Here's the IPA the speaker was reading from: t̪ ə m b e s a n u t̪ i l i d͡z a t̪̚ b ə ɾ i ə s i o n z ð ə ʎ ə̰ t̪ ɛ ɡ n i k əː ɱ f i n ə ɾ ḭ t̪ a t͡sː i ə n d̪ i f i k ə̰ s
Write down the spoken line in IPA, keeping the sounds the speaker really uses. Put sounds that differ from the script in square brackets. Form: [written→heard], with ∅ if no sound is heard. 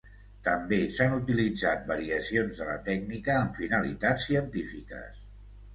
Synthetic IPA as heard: t̪ ə m b e s a n u t̪ i l i d͡z a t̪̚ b ə ɾ i ə s i o n z ð ə [ʎ→l] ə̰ t̪ ɛ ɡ n i k əː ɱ f i n ə [ɾ→l] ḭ t̪ a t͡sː i ə n [d̪→t̪] i f i k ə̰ s